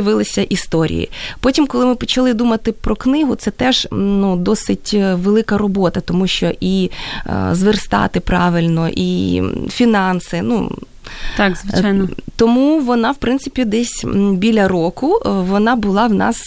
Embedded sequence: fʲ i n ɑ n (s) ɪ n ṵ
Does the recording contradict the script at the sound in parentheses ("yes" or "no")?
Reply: no